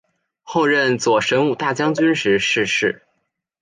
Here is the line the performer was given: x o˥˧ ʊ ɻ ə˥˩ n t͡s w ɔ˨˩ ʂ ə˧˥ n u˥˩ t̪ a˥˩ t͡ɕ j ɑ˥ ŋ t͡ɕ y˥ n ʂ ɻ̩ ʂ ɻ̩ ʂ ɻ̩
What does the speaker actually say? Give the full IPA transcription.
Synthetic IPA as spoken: x o˥˧ ʊ ɻ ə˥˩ n t͡s w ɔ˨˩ ʂ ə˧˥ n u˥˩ t̪ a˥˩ t͡ɕ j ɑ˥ ŋ t͡ɕ y˥ n ʂ ɻ̩ ʂ ɻ̩ ʂ ɻ̩